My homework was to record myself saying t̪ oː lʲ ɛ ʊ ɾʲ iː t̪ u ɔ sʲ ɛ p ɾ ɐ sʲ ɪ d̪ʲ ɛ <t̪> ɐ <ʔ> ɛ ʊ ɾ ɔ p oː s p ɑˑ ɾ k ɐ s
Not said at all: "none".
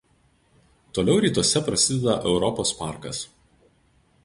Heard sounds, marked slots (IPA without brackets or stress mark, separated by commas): d̪, ʔ